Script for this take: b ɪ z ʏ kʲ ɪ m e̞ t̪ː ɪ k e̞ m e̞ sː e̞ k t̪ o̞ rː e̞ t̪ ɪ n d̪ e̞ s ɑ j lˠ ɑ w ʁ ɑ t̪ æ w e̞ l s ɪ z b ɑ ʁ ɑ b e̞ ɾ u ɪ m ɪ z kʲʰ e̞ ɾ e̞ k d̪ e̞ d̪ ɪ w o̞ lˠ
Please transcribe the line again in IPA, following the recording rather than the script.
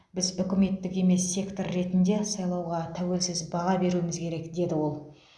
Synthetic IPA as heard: b ɪ z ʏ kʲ ɪ m e̞ t̪ː ɪ k e̞ m e̞ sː e̞ k t̪ o̞ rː e̞ t̪ ɪ n d̪ e̞ s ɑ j lˠ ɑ w ʁ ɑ t̪ʰ æ w e̞ l s ɪ z b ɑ ʁ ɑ b e̞ ɾ u ɪ m ɪ z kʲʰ e̞ ɾ e̞ k d̪ e̞ d̪ ɪ w o̞ lˠ